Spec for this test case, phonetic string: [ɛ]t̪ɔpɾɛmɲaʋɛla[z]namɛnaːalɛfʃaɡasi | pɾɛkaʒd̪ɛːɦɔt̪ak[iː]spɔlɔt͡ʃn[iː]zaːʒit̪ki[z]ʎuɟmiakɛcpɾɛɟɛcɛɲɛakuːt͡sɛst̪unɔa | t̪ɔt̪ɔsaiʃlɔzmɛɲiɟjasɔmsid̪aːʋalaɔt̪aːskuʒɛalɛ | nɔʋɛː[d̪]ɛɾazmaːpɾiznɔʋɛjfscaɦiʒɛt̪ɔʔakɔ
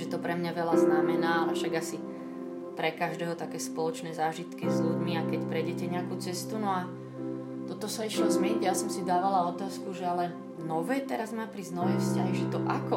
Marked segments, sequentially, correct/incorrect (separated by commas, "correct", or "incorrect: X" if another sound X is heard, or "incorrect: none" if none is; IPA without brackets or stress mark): correct, correct, incorrect: ɛː, incorrect: ɛː, correct, incorrect: t̪